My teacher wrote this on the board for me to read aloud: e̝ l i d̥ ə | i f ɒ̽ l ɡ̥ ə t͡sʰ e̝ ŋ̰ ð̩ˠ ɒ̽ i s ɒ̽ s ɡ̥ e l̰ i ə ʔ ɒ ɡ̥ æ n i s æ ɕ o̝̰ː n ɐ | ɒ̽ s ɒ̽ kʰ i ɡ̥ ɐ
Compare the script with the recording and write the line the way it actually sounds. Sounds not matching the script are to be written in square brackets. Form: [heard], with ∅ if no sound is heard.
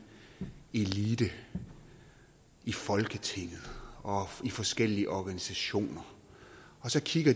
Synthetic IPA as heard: e̝ l i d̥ ə | i f ɒ̽ l ɡ̥ ə t͡sʰ e̝ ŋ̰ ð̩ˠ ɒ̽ i [f] ɒ̽ s ɡ̥ e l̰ i ə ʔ ɒ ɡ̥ æ n i s æ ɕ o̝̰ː n ɐ | ɒ̽ s ɒ̽ kʰ i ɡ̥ ɐ